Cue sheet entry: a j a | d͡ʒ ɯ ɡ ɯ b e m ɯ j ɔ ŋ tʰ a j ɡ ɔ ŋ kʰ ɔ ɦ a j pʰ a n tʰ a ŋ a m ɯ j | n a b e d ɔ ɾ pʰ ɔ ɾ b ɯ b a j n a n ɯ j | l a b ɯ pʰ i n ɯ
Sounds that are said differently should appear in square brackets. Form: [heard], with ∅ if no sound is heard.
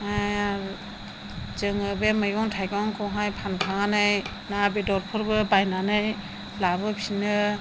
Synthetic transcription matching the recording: a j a | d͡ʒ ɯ [ŋ] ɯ b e m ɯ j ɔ ŋ tʰ a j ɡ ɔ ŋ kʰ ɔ ɦ a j pʰ a n [kʰ] a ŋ a [n] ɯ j | n a b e d ɔ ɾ pʰ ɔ ɾ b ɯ b a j n a n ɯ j | l a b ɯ pʰ i n ɯ